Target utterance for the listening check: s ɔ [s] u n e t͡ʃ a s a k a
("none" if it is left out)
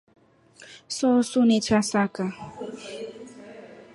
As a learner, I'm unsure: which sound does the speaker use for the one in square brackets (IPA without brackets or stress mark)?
s